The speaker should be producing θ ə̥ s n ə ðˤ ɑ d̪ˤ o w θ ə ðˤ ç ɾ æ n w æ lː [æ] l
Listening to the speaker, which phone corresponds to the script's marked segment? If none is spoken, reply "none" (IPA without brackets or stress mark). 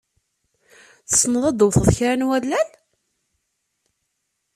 æ